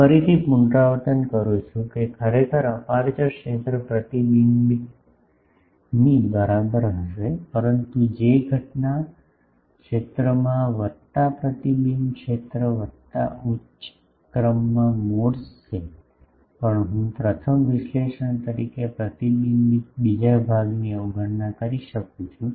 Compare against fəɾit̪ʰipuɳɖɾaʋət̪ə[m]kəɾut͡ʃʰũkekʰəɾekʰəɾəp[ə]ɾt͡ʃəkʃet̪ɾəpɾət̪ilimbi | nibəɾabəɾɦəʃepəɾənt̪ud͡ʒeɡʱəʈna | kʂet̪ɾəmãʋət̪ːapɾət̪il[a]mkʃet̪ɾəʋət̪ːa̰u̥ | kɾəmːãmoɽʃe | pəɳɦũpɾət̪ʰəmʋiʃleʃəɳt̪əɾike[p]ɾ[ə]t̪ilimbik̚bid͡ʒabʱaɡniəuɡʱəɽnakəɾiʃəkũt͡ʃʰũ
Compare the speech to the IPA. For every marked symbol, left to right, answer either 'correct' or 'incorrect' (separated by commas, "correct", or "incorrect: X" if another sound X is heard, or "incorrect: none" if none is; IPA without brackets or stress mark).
incorrect: n, incorrect: a, incorrect: i, correct, correct